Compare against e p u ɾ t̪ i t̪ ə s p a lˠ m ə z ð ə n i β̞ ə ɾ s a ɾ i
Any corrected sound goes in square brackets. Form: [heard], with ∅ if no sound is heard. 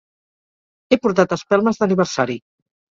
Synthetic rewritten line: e p u ɾ t̪ [a] t̪ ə s p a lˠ m ə z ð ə n i β̞ ə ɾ s a ɾ i